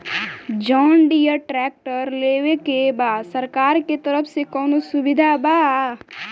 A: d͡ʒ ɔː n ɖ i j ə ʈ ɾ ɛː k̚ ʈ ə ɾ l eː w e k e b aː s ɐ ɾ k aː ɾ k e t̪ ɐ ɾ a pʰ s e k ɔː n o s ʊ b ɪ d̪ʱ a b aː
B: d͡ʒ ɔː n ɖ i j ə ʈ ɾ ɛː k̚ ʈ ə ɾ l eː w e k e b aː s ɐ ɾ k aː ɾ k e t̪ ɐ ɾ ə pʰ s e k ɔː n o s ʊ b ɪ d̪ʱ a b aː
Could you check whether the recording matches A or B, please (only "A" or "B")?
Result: B